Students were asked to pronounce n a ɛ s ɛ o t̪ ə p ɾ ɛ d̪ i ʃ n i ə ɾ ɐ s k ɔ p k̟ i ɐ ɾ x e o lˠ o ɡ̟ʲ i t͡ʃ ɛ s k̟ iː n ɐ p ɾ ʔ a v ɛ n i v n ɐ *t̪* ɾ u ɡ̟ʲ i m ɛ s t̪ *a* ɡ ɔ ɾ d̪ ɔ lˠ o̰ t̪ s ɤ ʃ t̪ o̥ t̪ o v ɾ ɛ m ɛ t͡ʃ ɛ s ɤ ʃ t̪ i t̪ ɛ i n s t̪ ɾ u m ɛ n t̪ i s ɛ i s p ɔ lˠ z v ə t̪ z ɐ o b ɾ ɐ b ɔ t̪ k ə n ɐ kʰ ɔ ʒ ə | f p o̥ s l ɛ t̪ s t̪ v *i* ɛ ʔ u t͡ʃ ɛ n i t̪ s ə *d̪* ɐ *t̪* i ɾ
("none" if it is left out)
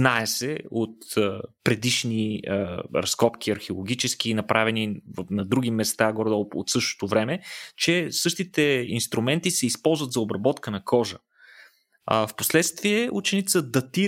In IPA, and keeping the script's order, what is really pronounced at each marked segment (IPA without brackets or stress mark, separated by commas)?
d̪, a, i, d̪, t̪